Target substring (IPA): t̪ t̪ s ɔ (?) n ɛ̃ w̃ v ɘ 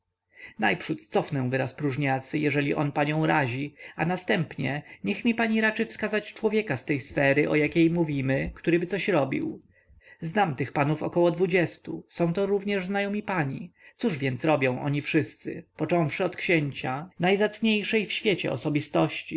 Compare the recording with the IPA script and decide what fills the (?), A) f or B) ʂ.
A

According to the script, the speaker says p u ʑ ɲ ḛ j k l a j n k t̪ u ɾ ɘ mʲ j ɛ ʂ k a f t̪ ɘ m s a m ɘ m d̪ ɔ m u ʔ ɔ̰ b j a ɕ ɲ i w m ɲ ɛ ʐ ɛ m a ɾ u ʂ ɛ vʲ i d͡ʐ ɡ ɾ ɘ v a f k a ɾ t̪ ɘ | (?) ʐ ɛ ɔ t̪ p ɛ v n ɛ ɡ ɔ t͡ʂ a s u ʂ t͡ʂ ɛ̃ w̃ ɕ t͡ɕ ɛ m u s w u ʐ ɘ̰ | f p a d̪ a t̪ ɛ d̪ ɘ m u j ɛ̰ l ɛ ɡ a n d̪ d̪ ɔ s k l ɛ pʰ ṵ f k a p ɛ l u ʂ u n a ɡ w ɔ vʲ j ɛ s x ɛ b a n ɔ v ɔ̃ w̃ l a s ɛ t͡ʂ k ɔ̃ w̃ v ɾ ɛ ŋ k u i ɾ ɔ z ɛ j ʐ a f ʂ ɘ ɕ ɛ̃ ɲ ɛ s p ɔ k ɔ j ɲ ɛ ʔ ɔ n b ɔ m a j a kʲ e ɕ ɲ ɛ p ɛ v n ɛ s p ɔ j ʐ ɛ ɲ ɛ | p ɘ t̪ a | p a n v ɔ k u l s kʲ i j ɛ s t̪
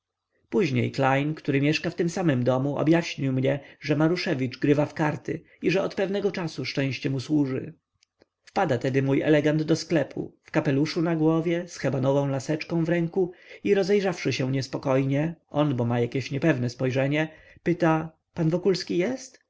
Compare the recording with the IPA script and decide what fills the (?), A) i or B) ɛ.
A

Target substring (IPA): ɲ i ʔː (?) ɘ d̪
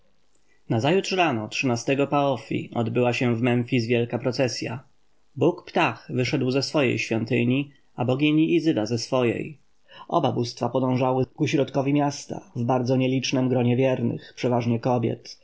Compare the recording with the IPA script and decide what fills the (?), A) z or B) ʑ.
A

